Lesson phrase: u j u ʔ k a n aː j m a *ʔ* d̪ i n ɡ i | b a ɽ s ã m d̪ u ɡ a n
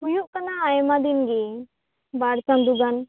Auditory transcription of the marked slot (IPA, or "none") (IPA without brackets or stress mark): none